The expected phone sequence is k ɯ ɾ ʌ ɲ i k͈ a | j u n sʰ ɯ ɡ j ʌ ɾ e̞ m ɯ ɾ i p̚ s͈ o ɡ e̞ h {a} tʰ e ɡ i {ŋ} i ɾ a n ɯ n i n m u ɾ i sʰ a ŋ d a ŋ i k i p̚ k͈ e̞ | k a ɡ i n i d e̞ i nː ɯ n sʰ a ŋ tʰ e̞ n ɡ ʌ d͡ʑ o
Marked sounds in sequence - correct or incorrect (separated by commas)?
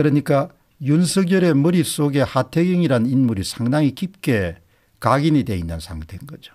correct, correct